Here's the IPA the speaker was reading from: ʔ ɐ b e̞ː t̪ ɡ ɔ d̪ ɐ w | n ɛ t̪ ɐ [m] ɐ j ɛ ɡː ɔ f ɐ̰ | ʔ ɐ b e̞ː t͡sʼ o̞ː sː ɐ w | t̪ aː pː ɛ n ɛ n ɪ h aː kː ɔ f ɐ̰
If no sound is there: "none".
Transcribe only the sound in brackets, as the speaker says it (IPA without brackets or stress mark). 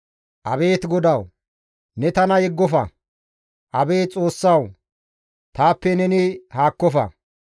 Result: n